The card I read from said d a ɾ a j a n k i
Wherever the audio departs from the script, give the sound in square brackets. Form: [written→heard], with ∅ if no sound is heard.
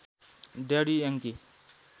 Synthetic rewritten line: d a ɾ [a→i] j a [n→ŋ] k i

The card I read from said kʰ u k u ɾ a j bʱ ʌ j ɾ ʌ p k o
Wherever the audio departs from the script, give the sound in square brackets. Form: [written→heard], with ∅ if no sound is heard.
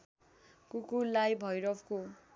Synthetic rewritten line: [kʰ→k] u k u [ɾ→l] a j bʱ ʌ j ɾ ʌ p k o

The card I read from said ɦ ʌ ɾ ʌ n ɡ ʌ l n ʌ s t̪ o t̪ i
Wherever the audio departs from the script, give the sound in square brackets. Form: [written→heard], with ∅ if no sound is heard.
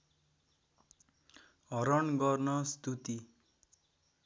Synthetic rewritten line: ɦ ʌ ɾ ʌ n ɡ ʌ [l→r] n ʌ s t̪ [o→u] t̪ i

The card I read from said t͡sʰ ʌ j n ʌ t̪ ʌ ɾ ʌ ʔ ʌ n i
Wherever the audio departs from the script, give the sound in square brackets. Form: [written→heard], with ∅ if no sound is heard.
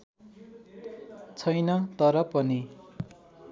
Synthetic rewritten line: t͡sʰ ʌ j n ʌ t̪ ʌ ɾ ʌ [ʔ→p] ʌ n i

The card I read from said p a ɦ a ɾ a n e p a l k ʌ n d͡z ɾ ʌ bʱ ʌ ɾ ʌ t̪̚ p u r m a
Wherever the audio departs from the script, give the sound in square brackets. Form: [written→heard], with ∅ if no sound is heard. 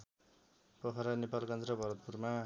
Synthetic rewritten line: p [a→ʌ] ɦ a ɾ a n e p a l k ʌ n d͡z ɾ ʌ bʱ ʌ ɾ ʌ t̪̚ p u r m a

